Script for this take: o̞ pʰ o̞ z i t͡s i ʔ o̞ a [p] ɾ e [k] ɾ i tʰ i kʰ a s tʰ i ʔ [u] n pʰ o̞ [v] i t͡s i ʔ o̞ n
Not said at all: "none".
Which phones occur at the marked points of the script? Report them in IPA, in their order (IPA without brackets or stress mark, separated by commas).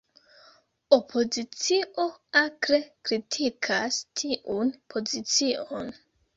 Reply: k, k, u, z